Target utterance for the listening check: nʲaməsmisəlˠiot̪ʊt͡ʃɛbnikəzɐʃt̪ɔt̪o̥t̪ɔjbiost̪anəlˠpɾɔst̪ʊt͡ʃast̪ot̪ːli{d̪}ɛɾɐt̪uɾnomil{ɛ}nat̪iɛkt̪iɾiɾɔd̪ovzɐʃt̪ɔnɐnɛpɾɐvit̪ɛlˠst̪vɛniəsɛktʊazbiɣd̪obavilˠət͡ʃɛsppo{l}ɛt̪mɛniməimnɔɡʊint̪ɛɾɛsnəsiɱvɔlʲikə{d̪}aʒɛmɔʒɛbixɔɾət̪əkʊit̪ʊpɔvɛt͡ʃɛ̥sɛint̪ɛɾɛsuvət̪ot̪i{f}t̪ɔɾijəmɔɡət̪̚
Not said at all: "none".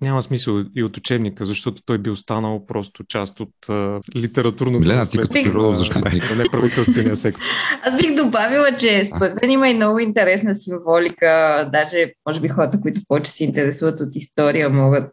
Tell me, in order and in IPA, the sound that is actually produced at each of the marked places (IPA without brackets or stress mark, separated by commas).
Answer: t̪, ɛ, ɾ, d̪, s